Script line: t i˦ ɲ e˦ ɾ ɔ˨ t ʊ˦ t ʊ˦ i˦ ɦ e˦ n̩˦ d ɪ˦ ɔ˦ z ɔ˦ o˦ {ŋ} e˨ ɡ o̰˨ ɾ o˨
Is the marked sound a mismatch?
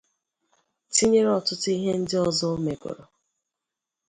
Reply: yes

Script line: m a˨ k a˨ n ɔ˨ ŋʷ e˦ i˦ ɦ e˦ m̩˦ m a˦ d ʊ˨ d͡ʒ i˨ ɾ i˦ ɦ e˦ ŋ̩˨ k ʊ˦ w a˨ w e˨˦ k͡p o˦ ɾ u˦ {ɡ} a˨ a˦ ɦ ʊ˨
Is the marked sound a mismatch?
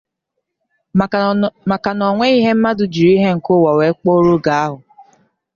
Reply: no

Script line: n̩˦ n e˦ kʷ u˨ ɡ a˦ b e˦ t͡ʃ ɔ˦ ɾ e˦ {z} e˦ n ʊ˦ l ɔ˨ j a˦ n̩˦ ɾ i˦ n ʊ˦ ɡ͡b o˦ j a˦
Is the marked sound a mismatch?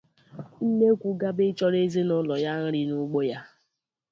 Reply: no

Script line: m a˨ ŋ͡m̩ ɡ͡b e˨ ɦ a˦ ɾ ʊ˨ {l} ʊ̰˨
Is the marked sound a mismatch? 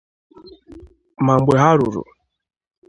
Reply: yes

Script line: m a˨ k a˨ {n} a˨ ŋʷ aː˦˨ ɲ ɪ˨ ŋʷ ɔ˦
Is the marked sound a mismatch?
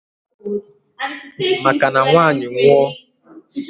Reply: no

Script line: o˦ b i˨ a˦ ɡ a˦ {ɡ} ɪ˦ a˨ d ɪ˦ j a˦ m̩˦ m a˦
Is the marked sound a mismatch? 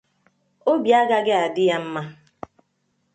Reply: no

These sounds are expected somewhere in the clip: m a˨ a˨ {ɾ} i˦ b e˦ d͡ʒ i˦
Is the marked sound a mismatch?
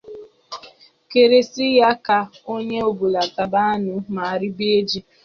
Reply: no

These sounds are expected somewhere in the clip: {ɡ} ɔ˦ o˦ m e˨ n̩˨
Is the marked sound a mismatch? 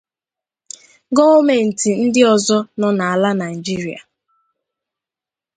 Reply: no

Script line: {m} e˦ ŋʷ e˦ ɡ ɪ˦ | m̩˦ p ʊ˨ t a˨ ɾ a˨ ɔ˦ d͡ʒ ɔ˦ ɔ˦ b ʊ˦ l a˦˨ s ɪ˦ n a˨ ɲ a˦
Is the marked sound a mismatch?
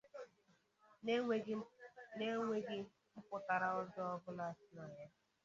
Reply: yes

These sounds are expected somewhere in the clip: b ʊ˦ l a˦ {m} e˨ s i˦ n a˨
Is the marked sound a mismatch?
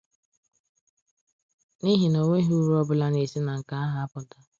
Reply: yes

